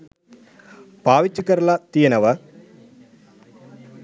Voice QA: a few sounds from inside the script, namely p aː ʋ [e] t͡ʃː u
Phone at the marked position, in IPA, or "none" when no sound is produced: i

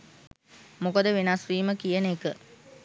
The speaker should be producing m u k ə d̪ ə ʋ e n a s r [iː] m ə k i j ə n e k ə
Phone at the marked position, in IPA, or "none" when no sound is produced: iː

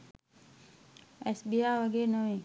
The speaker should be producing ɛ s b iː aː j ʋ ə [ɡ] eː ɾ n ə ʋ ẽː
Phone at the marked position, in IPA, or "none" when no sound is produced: ɡ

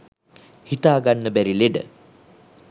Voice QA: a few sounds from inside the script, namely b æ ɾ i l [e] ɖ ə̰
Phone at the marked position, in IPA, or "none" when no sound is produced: e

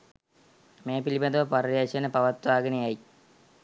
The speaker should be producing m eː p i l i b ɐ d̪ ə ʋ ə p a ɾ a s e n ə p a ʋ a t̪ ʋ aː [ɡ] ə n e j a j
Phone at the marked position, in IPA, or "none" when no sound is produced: ɡ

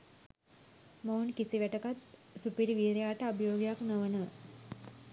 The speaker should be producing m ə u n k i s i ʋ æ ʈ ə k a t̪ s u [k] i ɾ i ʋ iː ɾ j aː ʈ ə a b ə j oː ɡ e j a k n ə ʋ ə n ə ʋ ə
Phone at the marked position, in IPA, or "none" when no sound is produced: p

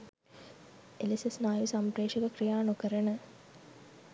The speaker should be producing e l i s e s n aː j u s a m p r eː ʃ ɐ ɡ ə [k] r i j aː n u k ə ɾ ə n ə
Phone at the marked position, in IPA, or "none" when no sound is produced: k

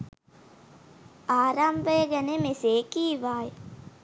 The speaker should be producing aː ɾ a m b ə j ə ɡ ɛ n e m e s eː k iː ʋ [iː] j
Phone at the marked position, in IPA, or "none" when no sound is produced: aː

